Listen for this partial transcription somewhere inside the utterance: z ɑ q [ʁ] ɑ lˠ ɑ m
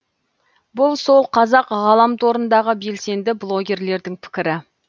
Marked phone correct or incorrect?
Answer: correct